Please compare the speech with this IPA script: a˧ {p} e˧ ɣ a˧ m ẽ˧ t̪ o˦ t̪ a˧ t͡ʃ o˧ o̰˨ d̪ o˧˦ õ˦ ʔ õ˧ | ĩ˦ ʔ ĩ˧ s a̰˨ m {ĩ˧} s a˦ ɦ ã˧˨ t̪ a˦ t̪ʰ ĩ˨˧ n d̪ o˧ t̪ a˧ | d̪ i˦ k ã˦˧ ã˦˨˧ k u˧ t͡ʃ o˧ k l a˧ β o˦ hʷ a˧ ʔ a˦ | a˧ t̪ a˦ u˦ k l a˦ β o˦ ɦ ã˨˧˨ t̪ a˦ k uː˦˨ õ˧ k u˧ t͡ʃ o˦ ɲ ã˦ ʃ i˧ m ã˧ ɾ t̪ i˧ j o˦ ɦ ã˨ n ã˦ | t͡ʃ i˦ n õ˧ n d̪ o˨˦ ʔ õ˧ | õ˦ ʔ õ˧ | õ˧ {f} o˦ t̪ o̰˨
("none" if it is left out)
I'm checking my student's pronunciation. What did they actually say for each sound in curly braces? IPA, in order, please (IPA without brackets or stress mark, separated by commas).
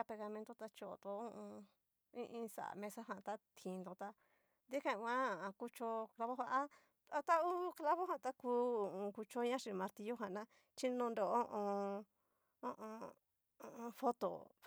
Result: p, ẽ˧, f